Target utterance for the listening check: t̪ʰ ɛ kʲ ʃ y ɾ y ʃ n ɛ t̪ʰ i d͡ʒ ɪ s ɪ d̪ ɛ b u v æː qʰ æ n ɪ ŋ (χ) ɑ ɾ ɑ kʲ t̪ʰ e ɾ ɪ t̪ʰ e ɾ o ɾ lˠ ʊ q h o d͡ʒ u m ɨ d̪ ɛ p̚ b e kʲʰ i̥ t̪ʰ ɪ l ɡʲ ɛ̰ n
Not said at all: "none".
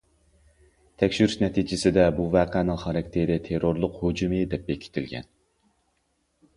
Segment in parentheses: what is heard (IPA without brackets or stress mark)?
χ